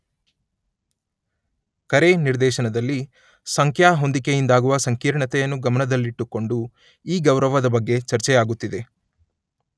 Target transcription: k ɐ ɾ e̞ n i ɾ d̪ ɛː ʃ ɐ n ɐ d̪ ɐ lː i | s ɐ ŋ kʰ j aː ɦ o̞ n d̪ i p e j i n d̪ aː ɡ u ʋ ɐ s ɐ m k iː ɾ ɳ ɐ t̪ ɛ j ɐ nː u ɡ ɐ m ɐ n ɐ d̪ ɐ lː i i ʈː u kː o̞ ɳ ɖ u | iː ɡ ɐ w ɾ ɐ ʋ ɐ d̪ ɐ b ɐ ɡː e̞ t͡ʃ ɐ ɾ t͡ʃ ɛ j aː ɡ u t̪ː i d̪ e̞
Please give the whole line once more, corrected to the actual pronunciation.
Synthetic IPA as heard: k ɐ ɾ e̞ n i ɾ d̪ ɛː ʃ ɐ n ɐ d̪ ɐ lː i | s ɐ ŋ kʰ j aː ɦ o̞ n d̪ i k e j i n d̪ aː ɡ u ʋ ɐ s ɐ ŋ k iː ɾ ɳ ɐ t̪ ɛ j ɐ nː u ɡ ɐ m ɐ n ɐ d̪ ɐ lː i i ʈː u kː o̞ ɳ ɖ u | iː ɡ ɐ w ɾ ɐ ʋ ɐ d̪ ɐ b ɐ ɡː e̞ t͡ʃ ɐ ɾ t͡ʃ ɛ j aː ɡ u t̪ː i d̪ e̞